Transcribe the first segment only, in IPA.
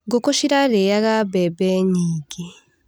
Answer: ɡ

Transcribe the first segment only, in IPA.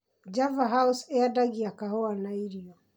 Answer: d͡ʒ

